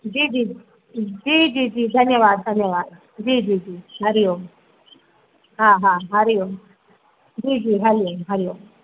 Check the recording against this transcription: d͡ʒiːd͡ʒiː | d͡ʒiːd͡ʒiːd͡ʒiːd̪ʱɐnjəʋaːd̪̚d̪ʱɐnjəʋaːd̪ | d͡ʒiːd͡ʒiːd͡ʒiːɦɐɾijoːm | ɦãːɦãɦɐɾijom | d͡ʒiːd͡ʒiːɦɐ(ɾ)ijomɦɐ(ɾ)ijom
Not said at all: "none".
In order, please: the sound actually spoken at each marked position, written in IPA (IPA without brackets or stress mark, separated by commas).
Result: ɾ, ɾ